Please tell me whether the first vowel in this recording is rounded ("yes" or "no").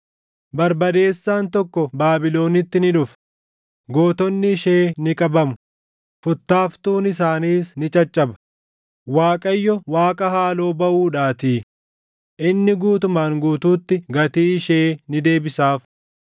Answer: no